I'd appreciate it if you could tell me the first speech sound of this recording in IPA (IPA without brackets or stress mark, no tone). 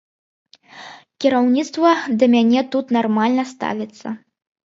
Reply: kʲ